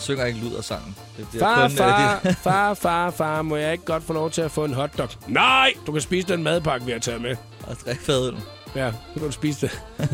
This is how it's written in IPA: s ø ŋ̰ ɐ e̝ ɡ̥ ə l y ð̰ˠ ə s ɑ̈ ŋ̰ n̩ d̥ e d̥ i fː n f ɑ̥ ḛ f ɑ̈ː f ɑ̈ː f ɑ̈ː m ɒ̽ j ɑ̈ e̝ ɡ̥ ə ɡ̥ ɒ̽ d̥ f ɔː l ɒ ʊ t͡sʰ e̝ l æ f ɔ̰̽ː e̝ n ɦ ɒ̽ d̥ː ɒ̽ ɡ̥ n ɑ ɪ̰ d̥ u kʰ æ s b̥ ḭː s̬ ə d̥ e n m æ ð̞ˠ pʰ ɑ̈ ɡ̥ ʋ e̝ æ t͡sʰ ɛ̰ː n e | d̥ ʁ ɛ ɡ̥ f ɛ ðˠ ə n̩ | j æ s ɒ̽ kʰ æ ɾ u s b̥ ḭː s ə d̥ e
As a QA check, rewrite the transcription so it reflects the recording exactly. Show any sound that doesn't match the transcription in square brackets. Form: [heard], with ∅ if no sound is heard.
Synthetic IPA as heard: s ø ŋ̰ ɐ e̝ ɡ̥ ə l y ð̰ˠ [ɐ] s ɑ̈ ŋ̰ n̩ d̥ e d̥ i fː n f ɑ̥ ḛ f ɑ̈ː f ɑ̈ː f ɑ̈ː m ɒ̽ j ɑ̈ e̝ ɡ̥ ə ɡ̥ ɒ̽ d̥ f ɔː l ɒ ʊ t͡sʰ e̝ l æ f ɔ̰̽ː e̝ n ɦ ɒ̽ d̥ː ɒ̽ ɡ̥ n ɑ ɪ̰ d̥ u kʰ æ s b̥ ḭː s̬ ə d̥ e n m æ ð̞ˠ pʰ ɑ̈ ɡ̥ ʋ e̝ æ t͡sʰ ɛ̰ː [m] e | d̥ ʁ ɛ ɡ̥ f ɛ ðˠ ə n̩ | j æ s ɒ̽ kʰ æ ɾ u s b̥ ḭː s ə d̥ e